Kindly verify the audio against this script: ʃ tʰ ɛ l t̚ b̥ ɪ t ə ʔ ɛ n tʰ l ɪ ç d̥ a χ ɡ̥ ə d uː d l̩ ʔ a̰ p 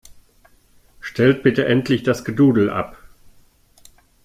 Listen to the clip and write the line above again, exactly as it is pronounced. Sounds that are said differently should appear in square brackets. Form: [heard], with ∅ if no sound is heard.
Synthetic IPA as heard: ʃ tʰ ɛ l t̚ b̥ ɪ t ə ʔ ɛ n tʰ l ɪ ç d̥ a [s] ɡ̥ ə d uː d l̩ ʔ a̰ p